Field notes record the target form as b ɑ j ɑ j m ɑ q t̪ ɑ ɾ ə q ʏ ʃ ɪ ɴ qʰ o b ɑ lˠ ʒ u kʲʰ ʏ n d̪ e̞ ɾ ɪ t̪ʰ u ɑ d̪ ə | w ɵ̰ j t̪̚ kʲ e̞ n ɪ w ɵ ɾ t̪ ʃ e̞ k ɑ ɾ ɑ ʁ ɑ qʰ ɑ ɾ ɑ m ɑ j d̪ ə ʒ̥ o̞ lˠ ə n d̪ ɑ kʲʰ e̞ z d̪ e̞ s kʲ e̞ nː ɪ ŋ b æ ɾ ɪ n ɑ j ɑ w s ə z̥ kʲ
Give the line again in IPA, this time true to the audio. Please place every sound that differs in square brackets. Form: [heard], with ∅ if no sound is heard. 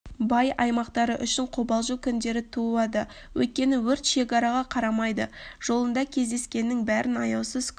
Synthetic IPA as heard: b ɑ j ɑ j m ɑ q t̪ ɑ ɾ ə [ʔ] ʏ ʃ ɪ ɴ qʰ o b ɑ lˠ ʒ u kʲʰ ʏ n d̪ e̞ ɾ ɪ t̪ʰ u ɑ d̪ ə | w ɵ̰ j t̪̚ kʲ e̞ n ɪ w ɵ ɾ t̪ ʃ e̞ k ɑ ɾ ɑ ʁ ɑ qʰ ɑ ɾ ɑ m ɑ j d̪ ə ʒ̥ o̞ lˠ ə n d̪ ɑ kʲʰ e̞ z d̪ e̞ s kʲ e̞ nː ɪ ŋ b æ ɾ ɪ n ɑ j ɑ w s ə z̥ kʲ